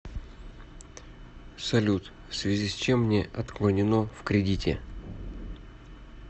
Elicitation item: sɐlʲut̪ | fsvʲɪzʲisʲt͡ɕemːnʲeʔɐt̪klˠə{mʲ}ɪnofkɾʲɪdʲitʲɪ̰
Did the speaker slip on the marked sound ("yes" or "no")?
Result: yes